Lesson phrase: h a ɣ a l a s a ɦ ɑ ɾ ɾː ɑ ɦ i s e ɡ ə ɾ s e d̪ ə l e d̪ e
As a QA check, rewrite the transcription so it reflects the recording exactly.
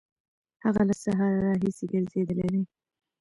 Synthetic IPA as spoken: h a ɣ a l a s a ɦ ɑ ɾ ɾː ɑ ɦ i s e ɡ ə ɾ z e d̪ ə l e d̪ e